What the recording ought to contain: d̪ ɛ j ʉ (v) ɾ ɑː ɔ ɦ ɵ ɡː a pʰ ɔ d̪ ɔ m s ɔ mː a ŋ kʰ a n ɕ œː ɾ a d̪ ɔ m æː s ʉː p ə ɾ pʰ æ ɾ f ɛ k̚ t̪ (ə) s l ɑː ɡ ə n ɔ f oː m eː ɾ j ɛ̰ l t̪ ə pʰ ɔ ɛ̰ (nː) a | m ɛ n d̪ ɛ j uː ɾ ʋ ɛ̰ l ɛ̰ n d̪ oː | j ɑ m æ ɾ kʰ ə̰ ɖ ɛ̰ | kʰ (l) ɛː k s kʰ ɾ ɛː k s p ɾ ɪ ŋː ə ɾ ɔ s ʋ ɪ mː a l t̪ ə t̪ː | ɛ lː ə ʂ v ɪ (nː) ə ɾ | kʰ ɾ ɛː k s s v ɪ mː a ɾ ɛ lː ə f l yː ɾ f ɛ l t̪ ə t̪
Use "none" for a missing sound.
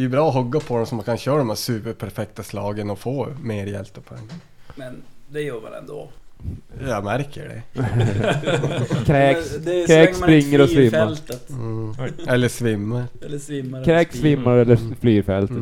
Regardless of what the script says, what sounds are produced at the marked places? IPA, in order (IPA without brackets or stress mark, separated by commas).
b, a, ŋː, ɾ, mː